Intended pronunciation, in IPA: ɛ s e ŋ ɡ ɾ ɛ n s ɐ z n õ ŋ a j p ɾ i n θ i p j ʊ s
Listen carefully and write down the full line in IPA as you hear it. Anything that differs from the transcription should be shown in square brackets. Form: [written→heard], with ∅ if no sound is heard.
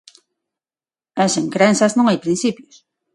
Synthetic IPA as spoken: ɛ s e ŋ [ɡ→k] ɾ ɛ n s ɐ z n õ ŋ a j p ɾ i n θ i p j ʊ s